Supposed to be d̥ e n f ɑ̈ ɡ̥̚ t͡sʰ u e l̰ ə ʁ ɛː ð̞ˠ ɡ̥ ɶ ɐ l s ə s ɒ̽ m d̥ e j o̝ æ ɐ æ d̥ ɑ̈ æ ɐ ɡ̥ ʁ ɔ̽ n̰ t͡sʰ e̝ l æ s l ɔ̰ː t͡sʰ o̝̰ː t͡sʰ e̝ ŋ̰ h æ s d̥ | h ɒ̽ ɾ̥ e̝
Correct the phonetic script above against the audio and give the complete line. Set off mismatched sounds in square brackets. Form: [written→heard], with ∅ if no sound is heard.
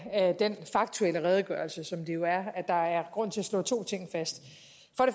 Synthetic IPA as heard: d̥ e n f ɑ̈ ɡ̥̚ t͡sʰ u e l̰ ə ʁ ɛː ð̞ˠ ɡ̥ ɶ ɐ l s ə s ɒ̽ m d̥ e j o̝ æ ɐ æ d̥ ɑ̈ æ ɐ ɡ̥ ʁ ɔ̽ n̰ t͡sʰ e̝ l æ s l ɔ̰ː t͡sʰ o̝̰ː t͡sʰ e̝ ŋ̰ [h→f] æ s d̥ | [h→f] ɒ̽ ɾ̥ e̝